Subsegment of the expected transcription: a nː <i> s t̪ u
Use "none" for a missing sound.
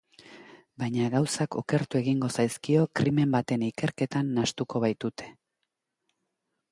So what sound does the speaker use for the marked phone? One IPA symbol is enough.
a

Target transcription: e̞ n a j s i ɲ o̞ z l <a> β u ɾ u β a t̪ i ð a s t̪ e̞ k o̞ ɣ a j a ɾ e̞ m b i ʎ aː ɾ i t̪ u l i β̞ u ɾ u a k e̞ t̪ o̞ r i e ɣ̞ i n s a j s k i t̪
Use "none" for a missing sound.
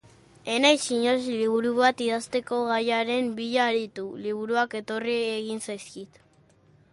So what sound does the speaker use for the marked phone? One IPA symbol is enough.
i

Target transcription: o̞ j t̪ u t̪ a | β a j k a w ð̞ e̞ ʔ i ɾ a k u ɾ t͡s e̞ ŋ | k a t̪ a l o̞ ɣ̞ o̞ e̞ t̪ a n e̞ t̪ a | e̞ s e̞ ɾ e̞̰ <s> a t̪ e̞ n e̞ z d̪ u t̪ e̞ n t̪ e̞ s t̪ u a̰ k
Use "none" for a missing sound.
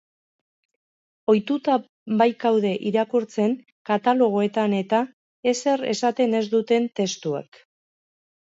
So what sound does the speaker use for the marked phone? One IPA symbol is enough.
s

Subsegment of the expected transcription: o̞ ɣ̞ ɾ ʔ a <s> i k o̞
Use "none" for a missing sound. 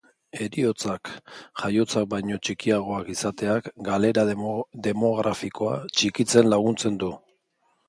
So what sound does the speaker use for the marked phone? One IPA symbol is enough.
f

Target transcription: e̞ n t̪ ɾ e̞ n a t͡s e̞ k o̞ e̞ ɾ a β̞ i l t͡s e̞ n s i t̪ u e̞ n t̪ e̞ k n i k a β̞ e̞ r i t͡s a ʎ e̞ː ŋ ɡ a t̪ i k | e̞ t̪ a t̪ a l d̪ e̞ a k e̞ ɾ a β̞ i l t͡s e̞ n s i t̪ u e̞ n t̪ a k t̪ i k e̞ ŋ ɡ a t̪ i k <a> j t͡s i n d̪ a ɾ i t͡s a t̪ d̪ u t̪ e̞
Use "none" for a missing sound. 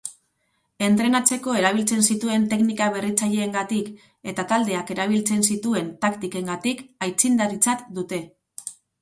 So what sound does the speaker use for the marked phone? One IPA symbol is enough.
a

